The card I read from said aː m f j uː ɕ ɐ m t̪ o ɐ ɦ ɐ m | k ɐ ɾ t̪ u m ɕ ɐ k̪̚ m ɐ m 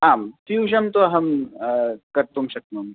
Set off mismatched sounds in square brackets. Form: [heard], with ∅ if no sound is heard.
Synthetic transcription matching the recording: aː m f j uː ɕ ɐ m t̪ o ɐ ɦ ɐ m | k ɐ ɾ t̪ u m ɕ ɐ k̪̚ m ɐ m